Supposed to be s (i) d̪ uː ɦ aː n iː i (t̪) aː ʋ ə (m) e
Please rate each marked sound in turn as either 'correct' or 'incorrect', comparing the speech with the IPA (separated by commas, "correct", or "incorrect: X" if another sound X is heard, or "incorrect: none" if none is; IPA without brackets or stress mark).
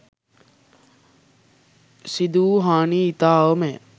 correct, correct, correct